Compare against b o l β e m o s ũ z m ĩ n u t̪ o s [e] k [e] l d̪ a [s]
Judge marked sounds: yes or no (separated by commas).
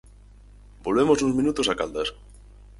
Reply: no, no, yes